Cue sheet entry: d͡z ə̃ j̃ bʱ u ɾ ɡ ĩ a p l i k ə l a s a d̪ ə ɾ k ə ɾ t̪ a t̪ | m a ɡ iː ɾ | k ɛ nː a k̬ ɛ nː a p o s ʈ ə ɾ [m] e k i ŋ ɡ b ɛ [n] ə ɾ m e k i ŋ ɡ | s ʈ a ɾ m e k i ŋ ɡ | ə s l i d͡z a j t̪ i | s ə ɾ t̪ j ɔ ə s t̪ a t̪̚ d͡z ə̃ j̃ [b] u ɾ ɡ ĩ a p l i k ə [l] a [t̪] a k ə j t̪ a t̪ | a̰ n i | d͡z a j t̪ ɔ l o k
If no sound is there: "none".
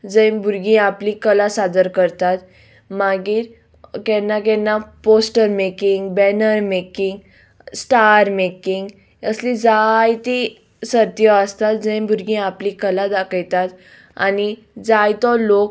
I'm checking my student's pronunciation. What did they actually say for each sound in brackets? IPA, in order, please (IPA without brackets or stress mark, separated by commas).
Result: m, n, b, l, d̪